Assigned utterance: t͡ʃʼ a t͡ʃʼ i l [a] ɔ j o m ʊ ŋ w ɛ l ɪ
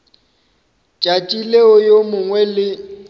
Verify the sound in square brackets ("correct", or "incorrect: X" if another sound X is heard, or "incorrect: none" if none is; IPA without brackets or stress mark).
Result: incorrect: e